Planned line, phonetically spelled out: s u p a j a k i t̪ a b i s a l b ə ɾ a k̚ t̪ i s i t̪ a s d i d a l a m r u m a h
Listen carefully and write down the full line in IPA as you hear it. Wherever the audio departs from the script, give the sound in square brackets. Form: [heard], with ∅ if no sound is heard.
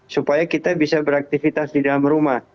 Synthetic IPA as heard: s u p a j a k i t̪ a b i s a [∅] b ə ɾ a k̚ t̪ i [f] i t̪ a s d i d a l a m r u m a h